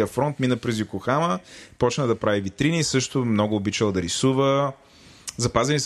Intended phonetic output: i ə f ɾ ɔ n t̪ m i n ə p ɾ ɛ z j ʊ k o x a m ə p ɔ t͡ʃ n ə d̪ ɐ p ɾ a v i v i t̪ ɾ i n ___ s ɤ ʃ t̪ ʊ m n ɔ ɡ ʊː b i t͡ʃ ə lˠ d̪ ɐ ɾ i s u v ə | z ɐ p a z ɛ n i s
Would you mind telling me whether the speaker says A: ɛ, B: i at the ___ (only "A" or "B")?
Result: B